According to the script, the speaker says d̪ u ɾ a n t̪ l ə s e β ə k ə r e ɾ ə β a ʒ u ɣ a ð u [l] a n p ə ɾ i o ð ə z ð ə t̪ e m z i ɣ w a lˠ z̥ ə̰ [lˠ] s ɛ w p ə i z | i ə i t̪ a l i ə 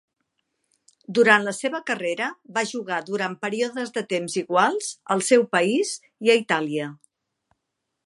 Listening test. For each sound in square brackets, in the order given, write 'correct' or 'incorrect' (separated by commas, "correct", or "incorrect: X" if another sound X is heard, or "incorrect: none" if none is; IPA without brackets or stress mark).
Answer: incorrect: ɾ, correct